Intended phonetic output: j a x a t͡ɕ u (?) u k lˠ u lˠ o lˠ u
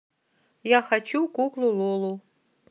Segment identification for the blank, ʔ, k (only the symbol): k